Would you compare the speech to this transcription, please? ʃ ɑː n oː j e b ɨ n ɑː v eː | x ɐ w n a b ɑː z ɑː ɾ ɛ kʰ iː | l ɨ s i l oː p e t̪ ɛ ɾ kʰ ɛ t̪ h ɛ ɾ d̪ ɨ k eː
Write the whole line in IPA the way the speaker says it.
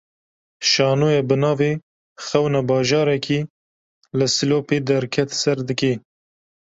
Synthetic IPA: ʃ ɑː n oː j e b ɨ n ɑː v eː | x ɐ w n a b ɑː ʒ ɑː ɾ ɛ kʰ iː | l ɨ s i l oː p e d̪ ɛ ɾ kʰ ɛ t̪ s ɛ ɾ d̪ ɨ k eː